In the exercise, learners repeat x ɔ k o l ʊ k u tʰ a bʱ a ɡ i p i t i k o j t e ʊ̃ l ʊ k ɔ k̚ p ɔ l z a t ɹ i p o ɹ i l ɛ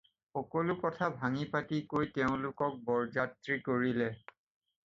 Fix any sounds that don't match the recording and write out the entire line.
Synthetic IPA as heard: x ɔ k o l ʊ k ɔ tʰ a bʱ a ŋ i p a t i k o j t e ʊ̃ l ʊ k ɔ k̚ b ɔ ɹ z a t ɹ i k o ɹ i l ɛ